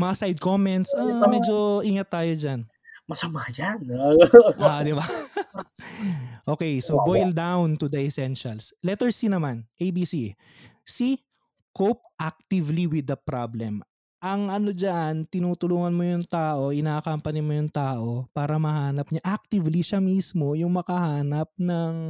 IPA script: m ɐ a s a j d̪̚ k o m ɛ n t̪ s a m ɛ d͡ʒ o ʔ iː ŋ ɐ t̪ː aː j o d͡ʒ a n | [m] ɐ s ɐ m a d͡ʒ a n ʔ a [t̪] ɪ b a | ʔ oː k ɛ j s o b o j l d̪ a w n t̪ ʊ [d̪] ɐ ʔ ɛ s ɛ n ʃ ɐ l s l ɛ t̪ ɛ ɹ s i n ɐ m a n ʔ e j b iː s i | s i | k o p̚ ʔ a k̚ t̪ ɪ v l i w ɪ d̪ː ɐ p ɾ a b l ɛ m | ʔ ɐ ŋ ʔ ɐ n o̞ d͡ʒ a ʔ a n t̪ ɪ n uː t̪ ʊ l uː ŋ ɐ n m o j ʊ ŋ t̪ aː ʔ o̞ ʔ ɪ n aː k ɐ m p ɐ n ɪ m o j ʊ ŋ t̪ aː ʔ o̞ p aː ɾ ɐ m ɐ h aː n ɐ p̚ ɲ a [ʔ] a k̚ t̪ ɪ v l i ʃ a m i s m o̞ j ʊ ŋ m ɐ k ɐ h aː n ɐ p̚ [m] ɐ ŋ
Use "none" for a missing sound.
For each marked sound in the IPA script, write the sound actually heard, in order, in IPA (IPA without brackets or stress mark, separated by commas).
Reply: m, d̪, d̪, ʔ, n